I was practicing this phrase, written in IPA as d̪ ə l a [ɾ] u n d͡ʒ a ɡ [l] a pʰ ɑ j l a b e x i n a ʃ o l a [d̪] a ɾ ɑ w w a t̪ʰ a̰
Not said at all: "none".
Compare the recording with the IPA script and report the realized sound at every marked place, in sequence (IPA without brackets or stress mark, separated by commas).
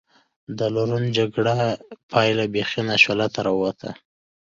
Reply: ɾ, ɽ, t̪